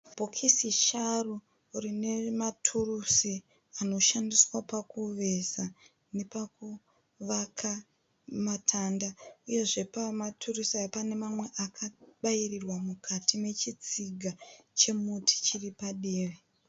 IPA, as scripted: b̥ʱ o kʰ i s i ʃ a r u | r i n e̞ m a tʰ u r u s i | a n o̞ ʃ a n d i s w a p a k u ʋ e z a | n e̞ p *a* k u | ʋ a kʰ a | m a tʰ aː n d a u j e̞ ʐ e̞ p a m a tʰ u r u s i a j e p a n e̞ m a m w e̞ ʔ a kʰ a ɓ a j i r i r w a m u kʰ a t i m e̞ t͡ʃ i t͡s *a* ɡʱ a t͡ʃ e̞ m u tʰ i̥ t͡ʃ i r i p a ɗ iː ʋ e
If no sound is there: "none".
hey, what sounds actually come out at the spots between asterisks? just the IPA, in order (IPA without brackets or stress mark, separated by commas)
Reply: a, i